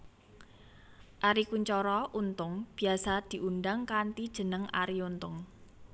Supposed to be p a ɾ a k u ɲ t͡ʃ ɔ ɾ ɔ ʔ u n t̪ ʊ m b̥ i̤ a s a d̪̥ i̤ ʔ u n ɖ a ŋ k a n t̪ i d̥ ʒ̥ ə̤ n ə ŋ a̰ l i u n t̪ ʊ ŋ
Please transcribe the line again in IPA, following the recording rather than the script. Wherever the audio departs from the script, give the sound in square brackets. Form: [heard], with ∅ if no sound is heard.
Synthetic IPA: [ʔ] a ɾ [i] k u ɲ t͡ʃ ɔ ɾ ɔ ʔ u n t̪ ʊ [ŋ] b̥ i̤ a s a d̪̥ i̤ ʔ u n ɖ a ŋ k a n t̪ i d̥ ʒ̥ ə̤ n ə ŋ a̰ [ɾ] i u n t̪ ʊ ŋ